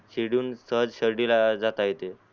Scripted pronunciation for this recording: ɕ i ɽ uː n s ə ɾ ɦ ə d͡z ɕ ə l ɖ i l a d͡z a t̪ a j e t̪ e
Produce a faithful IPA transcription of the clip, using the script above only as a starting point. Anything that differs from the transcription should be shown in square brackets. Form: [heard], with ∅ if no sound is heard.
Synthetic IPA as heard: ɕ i ɽ uː n s ə [∅] ɦ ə d͡z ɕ ə [ɾ] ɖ i l a d͡z a t̪ a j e t̪ e